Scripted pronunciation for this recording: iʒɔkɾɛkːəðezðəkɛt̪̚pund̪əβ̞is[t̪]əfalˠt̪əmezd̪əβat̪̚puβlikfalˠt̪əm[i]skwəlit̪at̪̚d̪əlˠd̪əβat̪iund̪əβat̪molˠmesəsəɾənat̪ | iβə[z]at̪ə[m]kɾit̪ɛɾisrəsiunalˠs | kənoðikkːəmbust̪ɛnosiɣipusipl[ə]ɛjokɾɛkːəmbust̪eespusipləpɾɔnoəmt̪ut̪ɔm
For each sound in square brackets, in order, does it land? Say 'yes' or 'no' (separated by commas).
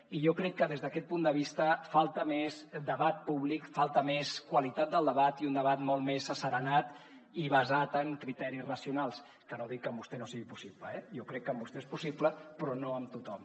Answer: yes, no, yes, no, yes